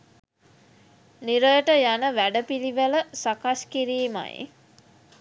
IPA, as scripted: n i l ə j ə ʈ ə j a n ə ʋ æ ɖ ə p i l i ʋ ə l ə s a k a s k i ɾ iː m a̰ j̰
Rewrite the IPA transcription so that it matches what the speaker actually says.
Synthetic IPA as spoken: n i ɾ ə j ə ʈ ə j a n ə ʋ æ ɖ ə p i l i ʋ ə l ə s a k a s k i ɾ iː m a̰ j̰